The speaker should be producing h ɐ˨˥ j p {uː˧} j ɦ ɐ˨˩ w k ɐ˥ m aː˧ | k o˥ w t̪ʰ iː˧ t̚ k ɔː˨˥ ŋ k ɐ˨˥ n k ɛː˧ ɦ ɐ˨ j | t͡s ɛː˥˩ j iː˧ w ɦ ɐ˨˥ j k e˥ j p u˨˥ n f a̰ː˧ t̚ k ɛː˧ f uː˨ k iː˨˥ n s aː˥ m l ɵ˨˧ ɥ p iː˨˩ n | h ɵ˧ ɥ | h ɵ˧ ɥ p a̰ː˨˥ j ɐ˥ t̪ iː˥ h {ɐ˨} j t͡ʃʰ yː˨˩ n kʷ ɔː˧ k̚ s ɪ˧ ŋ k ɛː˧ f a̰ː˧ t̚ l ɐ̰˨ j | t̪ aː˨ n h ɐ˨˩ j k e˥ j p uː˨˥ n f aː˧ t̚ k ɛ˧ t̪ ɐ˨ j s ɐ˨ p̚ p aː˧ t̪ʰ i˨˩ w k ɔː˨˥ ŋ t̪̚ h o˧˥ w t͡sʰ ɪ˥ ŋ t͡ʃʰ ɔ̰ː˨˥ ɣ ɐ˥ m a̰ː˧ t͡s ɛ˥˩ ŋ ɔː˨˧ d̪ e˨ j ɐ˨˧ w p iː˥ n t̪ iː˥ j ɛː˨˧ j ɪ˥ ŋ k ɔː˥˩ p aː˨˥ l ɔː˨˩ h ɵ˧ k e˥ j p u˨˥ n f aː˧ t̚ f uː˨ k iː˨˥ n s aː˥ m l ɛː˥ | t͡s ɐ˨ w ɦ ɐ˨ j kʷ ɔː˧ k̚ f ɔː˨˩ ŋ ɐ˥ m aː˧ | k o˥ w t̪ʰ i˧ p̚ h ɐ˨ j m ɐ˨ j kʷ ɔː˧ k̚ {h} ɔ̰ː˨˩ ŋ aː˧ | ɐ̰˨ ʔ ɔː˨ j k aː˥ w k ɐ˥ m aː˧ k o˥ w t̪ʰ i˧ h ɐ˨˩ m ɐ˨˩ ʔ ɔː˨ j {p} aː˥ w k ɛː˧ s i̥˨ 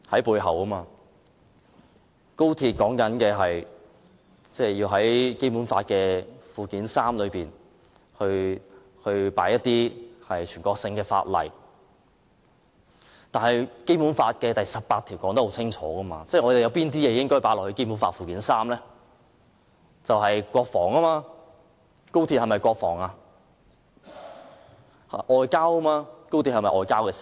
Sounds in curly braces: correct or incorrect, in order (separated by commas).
correct, correct, incorrect, incorrect